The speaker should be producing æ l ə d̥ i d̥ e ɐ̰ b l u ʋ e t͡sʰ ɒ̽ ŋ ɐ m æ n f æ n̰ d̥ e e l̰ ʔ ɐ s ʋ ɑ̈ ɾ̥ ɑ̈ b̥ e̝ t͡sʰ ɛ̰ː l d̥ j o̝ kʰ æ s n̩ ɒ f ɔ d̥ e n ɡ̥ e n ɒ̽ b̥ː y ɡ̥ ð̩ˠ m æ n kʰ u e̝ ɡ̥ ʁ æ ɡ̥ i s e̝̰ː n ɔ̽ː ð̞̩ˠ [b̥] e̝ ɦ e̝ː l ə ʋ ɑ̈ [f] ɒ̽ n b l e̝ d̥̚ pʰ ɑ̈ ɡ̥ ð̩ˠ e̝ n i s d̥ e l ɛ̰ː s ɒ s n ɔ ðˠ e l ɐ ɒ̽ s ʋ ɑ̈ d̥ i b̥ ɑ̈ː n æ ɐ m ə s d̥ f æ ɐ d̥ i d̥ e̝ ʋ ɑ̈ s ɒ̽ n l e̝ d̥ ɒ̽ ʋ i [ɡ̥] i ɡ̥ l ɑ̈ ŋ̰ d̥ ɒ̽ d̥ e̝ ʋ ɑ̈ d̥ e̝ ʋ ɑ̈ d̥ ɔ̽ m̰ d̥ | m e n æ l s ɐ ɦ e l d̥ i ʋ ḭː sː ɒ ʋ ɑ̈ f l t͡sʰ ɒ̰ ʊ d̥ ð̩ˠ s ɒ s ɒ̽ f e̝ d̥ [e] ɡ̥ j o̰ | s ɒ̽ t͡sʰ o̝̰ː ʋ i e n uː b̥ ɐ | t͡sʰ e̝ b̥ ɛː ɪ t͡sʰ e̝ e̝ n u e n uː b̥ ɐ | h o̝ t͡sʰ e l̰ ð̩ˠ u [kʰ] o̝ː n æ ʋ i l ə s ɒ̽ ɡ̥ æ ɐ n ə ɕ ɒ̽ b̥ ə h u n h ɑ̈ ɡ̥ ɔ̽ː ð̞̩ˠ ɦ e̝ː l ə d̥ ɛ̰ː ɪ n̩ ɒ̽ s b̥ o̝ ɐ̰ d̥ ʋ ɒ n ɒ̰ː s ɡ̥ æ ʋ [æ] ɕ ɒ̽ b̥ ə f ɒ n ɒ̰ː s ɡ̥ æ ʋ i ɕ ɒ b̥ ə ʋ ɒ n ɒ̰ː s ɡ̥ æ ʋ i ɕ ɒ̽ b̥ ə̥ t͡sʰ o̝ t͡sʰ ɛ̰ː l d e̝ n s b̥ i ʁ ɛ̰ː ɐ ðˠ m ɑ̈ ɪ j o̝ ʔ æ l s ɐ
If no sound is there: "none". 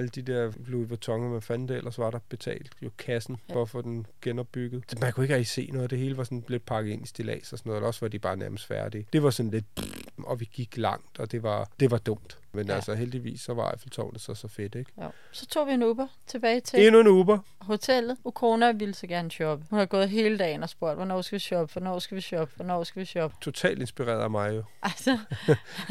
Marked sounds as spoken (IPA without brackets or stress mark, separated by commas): d̥, s, ɡ̥, e, kʰ, i